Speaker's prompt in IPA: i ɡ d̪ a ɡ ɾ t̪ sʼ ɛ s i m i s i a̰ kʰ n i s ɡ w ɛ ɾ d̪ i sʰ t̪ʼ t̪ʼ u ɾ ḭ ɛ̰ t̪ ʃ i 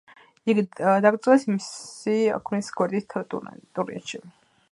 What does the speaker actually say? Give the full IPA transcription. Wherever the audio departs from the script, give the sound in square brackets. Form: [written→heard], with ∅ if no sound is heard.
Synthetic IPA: i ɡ d̪ a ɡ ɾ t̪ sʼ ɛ s i m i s i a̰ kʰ n i s ɡ w ɛ ɾ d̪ i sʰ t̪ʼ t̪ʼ u ɾ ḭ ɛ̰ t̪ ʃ i